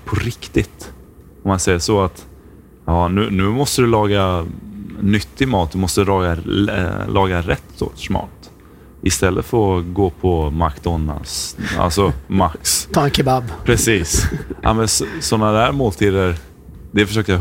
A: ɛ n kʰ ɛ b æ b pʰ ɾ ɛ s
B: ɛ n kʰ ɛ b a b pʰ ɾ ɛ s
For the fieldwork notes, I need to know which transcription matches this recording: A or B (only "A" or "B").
B